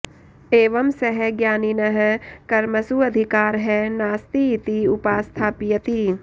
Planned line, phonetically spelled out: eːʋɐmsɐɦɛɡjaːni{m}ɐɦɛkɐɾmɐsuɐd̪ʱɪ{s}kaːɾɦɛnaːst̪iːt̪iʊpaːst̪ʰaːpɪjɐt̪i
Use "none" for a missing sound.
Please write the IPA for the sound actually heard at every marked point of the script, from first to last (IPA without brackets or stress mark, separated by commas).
n, none